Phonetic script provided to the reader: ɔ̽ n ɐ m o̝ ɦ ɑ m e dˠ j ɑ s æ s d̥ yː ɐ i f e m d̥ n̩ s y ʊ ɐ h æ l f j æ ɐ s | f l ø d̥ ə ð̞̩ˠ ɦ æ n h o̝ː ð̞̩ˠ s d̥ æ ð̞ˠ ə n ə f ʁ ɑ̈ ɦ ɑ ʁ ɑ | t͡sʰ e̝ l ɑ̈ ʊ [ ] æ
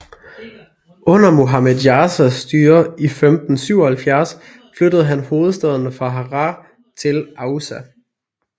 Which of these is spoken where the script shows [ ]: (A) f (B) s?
B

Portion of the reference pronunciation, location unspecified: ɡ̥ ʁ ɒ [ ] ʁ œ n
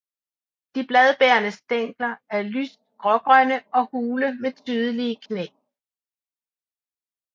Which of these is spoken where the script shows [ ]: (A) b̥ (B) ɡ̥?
B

